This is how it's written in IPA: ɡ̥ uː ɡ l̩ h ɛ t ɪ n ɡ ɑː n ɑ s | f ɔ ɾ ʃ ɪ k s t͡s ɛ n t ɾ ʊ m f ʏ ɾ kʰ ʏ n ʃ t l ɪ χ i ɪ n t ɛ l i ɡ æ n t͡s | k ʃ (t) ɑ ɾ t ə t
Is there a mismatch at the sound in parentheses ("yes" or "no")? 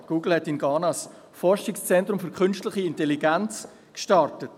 no